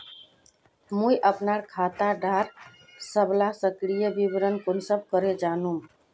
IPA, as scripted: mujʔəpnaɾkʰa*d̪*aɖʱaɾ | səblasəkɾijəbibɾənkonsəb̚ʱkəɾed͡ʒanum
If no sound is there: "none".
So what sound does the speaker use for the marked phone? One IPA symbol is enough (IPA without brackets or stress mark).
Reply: t̪